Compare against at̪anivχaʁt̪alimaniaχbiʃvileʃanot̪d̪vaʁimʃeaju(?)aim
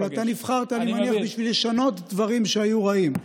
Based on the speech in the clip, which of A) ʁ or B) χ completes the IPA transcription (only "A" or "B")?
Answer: A